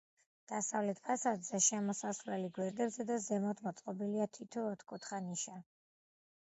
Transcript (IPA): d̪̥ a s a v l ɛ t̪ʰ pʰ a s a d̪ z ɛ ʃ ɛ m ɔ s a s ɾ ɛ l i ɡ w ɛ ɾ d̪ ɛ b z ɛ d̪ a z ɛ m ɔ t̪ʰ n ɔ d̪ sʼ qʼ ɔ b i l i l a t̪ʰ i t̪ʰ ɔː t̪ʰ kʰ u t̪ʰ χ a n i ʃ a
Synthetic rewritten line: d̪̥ a s a v l ɛ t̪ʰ pʰ a s a d̪ z ɛ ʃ ɛ m ɔ s a s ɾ ɛ l i ɡ w ɛ ɾ d̪ ɛ b z ɛ d̪ a z ɛ m ɔ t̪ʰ m ɔ t̪ sʼ qʼ ɔ b i l i a t̪ʰ i t̪ʰ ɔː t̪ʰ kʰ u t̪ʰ χ a n i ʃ a